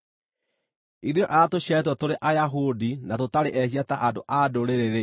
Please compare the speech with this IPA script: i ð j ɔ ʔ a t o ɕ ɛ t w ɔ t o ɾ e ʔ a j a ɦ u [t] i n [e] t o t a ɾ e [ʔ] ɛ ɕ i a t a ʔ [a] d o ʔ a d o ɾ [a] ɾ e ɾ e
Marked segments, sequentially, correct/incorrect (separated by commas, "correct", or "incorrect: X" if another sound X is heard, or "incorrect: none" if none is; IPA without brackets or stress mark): incorrect: d, incorrect: a, correct, correct, incorrect: e